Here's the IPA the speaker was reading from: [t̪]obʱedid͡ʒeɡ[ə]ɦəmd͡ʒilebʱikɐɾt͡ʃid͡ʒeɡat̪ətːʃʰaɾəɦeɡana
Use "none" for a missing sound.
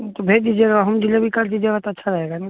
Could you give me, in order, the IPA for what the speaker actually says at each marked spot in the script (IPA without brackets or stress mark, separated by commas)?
t̪, a